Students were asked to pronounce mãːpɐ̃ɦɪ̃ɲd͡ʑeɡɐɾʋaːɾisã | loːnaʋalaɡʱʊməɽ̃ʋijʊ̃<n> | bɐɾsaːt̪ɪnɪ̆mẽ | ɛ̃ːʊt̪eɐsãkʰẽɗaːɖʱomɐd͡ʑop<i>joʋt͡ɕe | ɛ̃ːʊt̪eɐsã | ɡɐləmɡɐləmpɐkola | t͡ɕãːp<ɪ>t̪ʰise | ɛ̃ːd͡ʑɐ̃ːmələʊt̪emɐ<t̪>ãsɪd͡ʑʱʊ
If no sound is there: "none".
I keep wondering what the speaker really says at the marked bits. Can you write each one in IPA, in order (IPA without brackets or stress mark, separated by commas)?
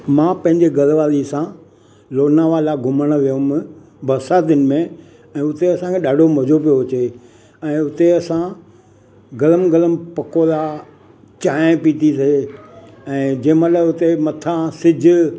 m, i, i, t̪ʰ